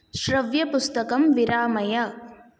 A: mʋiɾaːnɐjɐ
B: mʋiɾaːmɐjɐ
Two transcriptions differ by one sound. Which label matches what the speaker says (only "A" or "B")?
B